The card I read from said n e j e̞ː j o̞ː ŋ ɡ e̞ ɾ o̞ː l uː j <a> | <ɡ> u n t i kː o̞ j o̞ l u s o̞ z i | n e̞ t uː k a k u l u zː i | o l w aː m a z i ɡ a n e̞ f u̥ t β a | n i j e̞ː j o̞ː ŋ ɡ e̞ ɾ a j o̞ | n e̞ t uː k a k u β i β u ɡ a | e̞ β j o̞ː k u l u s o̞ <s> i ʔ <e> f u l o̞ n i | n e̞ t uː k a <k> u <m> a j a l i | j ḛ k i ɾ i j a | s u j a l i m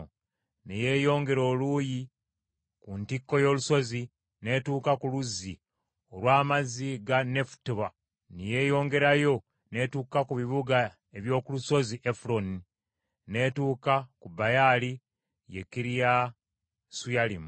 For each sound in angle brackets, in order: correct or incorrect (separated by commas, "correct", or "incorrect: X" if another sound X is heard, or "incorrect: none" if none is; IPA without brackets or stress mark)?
incorrect: i, incorrect: k, incorrect: z, correct, correct, incorrect: b